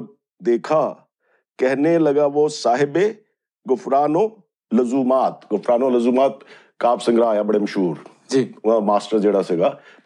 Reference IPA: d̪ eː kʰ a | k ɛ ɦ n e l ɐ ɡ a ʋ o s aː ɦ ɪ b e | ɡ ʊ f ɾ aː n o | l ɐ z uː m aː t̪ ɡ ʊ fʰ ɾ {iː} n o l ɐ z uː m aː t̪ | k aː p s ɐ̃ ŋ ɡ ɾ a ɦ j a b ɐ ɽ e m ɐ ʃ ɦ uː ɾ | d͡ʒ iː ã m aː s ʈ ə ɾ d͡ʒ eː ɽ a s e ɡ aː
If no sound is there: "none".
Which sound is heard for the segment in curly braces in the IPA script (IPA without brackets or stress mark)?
aː